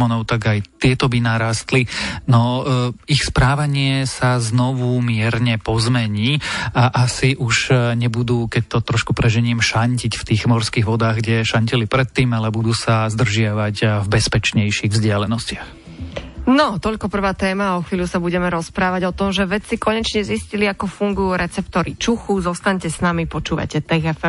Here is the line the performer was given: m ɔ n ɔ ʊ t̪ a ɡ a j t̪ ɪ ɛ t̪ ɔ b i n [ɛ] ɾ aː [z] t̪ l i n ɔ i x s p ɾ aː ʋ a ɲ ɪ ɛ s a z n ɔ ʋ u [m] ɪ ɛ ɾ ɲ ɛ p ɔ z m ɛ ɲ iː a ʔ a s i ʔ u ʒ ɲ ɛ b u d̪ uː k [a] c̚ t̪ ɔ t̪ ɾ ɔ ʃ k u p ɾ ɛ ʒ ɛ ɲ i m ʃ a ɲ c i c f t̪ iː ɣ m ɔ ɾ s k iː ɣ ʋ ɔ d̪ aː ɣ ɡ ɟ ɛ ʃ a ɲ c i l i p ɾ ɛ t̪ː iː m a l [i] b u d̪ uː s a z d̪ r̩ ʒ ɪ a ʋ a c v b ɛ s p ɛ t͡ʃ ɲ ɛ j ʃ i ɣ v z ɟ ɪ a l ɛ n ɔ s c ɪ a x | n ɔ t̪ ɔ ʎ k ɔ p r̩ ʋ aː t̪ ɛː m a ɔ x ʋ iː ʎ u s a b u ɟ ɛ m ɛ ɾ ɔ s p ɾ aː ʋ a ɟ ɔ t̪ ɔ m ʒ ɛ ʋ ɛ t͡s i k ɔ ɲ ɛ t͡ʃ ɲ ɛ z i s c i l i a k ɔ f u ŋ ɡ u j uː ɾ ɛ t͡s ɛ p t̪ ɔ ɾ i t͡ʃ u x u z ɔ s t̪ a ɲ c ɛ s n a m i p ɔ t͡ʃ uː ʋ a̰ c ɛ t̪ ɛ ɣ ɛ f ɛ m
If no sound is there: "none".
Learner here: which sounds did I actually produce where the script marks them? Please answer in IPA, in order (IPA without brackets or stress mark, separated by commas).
a, s, m, ɛ, ɛ